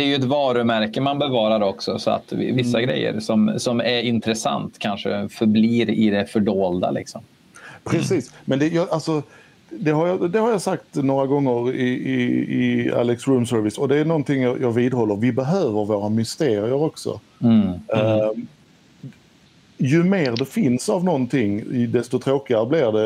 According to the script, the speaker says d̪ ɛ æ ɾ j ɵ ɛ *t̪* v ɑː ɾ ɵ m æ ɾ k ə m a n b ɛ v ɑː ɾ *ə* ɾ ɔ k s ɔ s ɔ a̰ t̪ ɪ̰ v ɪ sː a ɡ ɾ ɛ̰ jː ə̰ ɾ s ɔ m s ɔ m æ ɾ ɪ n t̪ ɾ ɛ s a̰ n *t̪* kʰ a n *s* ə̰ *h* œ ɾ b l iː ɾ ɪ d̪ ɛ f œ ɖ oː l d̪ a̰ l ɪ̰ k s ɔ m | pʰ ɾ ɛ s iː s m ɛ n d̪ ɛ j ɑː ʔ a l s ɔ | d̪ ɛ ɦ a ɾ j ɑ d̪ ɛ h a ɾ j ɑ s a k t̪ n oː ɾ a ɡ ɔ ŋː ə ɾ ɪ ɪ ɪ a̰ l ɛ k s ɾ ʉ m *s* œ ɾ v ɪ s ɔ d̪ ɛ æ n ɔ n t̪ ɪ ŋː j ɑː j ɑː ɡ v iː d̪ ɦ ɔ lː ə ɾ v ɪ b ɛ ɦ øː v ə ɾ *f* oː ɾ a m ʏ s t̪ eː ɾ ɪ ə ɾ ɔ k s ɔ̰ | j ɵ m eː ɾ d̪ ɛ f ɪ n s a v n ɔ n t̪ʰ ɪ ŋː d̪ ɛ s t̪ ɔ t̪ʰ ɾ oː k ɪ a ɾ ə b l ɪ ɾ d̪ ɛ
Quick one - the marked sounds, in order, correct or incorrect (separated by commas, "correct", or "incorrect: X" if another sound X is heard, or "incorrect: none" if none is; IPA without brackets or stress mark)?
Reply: correct, incorrect: a, correct, incorrect: ʂ, incorrect: f, correct, incorrect: v